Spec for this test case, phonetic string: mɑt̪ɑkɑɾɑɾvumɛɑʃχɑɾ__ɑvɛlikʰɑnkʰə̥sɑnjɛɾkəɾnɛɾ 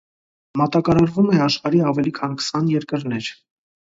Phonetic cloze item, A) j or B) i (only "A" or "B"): B